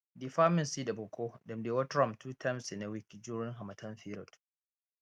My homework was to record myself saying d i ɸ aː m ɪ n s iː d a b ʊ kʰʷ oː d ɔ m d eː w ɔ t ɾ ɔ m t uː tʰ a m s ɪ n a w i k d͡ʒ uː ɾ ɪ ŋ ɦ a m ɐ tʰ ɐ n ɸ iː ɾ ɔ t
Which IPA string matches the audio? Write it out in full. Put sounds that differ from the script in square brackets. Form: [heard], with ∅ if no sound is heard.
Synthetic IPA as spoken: d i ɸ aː m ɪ n s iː d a b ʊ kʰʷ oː d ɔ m d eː w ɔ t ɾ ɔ m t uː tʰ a m s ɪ n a w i k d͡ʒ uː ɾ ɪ ŋ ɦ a m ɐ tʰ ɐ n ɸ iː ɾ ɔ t